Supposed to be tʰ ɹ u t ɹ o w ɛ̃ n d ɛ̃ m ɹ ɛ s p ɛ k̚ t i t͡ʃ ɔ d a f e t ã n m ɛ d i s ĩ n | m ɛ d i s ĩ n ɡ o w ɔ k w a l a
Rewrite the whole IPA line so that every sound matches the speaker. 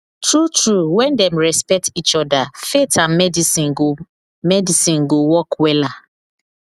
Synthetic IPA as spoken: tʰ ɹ u t ɹ u w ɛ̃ n d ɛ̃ m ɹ ɛ s p ɛ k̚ t i t͡ʃ ɔ d a f e t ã n m ɛ d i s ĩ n | m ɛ d i s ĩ n ɡ o w ɔ k w ɛ l a